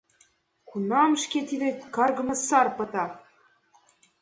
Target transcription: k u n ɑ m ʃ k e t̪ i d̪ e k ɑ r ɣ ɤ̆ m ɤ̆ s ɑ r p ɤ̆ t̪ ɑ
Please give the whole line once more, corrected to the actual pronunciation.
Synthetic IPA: k u n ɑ m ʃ k e t̪ i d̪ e k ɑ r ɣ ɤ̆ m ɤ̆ s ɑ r p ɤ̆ t̪ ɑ